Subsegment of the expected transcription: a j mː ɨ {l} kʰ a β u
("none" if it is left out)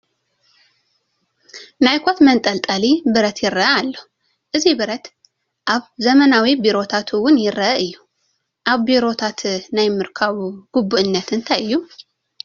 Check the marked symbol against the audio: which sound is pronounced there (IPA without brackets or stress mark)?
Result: ɾ